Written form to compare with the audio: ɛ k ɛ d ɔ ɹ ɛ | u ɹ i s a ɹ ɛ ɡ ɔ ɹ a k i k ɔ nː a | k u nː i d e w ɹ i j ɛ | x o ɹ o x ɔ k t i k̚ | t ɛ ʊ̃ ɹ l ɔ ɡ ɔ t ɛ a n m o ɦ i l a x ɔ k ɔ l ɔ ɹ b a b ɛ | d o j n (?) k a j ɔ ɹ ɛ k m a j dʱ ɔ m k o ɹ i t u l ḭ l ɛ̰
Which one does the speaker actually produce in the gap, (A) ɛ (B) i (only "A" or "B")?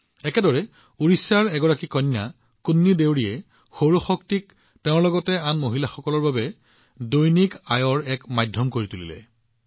B